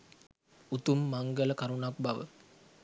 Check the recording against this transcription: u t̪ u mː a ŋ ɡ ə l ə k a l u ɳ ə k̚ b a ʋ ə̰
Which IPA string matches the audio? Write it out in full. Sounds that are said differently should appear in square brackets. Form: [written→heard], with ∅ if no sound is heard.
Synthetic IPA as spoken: u t̪ u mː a ŋ ɡ ə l ə k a [l→ɾ] u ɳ [ə→a] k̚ b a ʋ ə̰